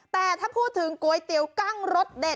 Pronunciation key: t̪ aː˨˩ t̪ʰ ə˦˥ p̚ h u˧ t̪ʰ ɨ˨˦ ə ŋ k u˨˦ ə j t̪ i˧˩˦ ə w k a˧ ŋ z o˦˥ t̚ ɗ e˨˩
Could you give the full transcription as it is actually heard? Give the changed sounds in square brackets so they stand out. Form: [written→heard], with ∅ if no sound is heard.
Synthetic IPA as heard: t̪ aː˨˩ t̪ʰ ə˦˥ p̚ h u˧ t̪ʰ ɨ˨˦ ə ŋ k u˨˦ ə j t̪ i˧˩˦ ə w k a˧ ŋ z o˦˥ t̚ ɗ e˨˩